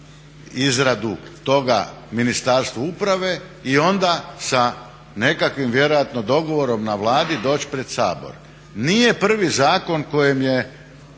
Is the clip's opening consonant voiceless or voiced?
voiced